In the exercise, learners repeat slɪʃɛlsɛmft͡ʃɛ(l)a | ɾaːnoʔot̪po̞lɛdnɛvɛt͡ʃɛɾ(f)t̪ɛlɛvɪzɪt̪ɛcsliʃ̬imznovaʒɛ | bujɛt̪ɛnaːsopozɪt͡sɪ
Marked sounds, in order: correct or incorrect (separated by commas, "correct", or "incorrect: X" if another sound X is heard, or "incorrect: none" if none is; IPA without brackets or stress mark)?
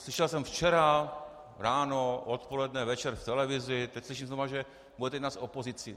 incorrect: ɾ, correct